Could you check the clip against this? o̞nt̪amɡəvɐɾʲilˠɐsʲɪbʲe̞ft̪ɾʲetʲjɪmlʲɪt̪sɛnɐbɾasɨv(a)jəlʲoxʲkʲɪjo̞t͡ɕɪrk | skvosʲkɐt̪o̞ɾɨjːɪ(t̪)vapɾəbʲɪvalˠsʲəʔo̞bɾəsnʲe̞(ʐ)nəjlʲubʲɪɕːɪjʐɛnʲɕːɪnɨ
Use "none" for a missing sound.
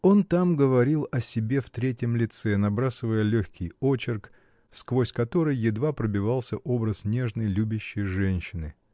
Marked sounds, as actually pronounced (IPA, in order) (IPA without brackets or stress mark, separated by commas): ə, d̪, ʐ